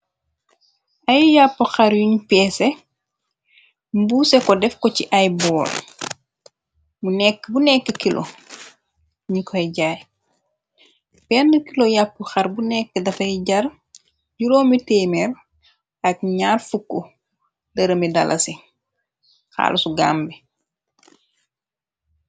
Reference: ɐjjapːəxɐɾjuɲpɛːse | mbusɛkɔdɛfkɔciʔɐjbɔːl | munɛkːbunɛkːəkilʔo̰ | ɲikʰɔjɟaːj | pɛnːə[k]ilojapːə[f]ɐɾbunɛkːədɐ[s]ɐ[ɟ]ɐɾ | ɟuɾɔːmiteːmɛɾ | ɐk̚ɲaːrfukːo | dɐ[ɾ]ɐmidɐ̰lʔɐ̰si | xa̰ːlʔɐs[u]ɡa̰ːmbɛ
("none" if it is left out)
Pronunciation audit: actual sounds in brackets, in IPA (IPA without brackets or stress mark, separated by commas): k, x, f, ɟ, ɾ, u